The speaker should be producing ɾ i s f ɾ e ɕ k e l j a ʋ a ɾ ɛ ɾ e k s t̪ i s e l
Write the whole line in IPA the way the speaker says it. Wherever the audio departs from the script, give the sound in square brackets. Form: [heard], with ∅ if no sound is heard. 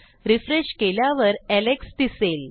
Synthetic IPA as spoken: ɾ i [∅] f ɾ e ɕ k e l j a ʋ [ə] ɾ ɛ [l] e k s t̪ i s e l